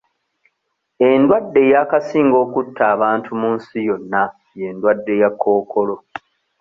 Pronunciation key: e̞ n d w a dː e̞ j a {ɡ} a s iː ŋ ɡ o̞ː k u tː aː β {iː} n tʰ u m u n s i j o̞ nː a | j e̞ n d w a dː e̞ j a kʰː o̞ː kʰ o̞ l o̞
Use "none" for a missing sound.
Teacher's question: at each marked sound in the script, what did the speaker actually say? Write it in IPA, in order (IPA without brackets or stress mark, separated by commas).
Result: k, aː